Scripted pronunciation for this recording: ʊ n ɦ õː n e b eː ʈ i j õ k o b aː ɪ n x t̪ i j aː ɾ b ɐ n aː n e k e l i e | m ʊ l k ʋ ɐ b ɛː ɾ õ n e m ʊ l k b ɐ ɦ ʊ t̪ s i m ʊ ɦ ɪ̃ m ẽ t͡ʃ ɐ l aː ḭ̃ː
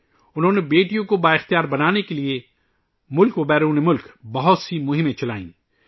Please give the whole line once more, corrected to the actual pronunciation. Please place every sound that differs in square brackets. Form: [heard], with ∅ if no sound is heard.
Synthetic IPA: ʊ n ɦ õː n e b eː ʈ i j õ k o b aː ɪ [∅] x t̪ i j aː ɾ b ɐ n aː n e k e l i e | m ʊ l k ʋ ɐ b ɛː ɾ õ n e m ʊ l k b ɐ ɦ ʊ t̪ s i m ʊ ɦ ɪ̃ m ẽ t͡ʃ ɐ l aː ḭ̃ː